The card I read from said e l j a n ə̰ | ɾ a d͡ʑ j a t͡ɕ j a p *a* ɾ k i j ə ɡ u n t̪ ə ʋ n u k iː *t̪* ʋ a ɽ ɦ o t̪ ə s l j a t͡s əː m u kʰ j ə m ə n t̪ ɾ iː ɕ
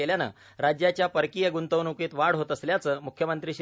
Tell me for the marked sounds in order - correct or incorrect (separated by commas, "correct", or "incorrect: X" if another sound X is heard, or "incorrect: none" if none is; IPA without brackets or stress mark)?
incorrect: ə, correct